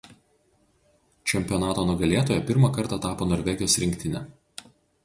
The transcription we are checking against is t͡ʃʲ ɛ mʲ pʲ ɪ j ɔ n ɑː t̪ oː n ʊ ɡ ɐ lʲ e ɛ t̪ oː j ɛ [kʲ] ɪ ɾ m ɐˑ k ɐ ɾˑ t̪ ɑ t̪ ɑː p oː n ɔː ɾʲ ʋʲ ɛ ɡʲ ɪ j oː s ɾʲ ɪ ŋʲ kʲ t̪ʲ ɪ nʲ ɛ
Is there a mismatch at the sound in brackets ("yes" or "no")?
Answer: yes